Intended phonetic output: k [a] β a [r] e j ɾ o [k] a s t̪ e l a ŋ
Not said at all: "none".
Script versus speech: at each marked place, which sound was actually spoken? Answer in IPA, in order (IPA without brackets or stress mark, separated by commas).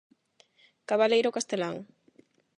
a, l, k